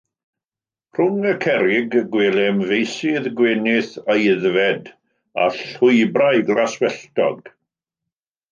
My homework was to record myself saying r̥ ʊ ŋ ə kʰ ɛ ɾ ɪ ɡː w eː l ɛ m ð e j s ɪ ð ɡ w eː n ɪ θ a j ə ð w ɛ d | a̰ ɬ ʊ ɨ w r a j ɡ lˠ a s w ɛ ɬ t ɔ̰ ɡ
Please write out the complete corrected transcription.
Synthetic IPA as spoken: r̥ ʊ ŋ ə kʰ ɛ ɾ ɪ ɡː w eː l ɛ m v e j s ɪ ð ɡ w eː n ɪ θ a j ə ð v ɛ d | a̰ ɬ ʊ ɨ b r a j ɡ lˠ a s w ɛ ɬ t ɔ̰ ɡ